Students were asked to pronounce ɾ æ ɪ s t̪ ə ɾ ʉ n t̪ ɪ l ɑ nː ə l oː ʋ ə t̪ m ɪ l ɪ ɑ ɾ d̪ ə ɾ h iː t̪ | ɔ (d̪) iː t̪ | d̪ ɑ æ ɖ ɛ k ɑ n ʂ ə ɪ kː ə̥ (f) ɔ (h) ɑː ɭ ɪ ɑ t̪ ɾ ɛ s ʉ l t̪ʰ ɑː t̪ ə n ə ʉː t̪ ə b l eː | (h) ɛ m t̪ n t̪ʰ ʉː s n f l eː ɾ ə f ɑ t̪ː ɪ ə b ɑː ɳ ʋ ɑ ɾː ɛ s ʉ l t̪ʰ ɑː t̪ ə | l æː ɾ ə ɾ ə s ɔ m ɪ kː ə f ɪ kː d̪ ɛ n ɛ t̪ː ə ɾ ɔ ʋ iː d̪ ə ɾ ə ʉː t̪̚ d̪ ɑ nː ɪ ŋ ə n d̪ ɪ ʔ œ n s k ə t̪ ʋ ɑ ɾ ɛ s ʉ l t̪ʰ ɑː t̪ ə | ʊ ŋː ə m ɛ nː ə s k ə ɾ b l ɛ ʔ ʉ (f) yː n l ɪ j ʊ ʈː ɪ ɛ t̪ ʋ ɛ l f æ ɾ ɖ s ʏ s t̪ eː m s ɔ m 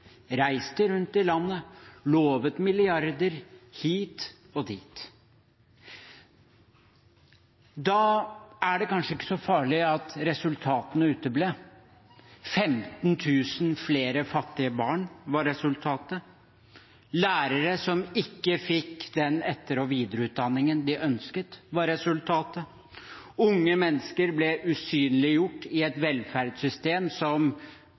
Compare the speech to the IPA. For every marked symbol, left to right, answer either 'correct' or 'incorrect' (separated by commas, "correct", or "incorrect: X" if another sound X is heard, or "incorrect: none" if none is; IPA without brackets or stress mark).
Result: correct, incorrect: s, incorrect: f, incorrect: f, incorrect: s